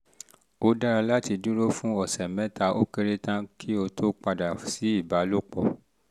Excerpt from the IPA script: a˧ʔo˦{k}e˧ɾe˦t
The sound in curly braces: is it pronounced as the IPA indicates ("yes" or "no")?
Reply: yes